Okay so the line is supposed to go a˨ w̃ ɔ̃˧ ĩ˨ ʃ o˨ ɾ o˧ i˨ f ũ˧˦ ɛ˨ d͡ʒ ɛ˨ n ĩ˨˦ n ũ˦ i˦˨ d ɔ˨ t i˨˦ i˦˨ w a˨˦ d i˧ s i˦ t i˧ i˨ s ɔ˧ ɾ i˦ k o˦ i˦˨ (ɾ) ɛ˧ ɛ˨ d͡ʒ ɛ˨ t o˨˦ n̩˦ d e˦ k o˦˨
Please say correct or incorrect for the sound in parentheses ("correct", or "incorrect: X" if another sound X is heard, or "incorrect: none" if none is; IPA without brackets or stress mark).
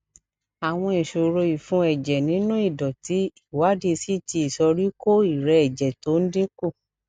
correct